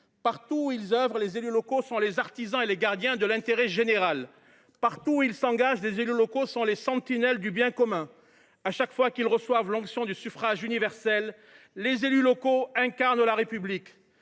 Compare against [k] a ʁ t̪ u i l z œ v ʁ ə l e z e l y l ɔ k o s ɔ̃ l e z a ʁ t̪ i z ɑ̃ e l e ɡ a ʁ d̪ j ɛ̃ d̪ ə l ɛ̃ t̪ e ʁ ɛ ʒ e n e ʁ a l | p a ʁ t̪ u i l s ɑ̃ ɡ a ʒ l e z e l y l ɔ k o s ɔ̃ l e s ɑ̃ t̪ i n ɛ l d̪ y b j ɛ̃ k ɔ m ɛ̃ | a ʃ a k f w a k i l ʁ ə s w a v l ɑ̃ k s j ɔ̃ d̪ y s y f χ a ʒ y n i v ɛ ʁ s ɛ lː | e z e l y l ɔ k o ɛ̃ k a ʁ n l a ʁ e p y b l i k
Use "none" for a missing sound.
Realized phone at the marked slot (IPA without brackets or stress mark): p